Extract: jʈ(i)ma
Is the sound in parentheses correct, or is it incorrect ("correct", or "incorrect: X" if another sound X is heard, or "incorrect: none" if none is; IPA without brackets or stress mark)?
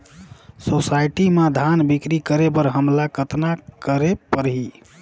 correct